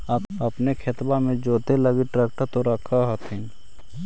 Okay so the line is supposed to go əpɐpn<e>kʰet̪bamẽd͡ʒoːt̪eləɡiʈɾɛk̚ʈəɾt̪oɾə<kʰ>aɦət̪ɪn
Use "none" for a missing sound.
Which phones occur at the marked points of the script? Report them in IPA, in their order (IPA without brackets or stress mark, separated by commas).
e, kʰ